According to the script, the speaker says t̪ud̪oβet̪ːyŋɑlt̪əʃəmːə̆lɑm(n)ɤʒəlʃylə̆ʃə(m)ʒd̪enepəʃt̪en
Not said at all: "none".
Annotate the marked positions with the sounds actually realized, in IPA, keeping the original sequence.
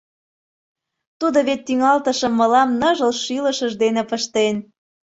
n, none

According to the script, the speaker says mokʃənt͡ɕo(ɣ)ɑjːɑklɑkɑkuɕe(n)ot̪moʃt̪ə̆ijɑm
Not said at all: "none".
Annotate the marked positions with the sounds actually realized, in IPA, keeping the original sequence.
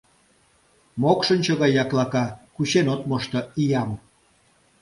ɣ, n

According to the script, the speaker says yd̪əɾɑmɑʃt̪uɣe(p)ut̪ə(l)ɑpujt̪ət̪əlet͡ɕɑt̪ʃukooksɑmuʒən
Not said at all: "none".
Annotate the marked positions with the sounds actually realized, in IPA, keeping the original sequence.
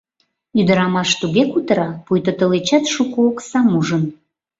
k, ɾ

